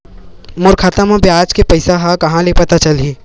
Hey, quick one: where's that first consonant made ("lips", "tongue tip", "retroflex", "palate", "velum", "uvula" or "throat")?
lips